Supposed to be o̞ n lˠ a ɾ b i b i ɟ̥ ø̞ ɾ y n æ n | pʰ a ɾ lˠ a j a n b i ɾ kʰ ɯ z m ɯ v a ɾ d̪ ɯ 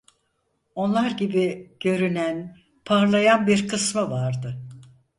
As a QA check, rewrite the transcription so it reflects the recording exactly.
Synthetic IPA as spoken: o̞ n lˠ a ɾ ɟ i b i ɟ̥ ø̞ ɾ y n æ n | pʰ a ɾ lˠ a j a n b i ɾ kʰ ɯ s m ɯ v a ɾ d̪ ɯ

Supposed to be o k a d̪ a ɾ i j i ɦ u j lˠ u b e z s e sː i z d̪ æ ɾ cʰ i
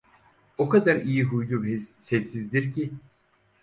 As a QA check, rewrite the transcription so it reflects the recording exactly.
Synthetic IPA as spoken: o k a d̪ a ɾ i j i ɦ u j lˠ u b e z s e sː i z d̪ i ɾ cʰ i

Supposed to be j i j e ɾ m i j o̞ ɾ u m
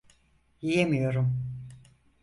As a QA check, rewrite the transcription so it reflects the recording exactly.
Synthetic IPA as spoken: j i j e m i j o̞ ɾ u m

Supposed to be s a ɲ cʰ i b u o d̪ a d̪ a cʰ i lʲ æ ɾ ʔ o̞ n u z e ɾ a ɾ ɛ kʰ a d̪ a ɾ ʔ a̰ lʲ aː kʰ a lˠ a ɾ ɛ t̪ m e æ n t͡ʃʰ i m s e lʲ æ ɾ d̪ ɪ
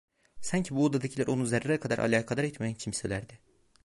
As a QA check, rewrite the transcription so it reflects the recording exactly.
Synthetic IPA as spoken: s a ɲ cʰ i b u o d̪ a d̪ a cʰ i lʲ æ ɾ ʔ o̞ n u z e ɾ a ɾ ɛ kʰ a d̪ a ɾ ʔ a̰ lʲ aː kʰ a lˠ a ɾ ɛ t̪ m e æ n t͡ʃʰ i m s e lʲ æ ɾ d̪ ɪ

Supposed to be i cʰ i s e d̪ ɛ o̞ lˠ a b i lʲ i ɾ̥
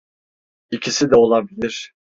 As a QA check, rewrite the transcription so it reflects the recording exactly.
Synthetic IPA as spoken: i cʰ i s i d̪ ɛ o̞ lˠ a b i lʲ i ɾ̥

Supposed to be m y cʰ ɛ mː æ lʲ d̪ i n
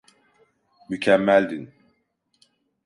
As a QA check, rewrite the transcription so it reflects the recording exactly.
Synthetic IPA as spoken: m y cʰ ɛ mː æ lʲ d̪ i n

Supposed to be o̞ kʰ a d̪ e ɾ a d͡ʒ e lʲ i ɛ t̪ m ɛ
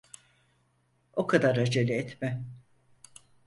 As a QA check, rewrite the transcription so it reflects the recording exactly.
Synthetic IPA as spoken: o̞ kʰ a d̪ a ɾ a d͡ʒ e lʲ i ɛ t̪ m ɛ

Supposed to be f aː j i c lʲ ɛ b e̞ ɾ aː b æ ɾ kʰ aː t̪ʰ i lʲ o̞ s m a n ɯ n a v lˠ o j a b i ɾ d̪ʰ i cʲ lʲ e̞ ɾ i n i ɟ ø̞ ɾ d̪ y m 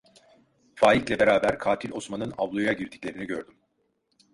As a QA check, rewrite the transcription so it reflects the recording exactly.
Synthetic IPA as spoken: f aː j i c lʲ ɛ b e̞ ɾ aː b æ ɾ kʰ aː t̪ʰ i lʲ o̞ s m a n ɯ n a v lˠ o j a ɟ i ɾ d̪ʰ i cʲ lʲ e̞ ɾ i n i ɟ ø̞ ɾ d̪ y m

